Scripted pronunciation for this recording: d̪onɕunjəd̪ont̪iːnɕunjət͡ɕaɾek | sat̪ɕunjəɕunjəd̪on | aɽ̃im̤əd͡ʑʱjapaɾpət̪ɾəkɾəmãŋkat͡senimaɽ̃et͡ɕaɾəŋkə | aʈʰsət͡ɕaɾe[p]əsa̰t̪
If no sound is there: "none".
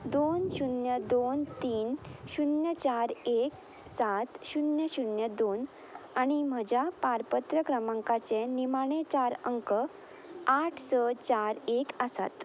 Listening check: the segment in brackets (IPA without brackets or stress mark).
k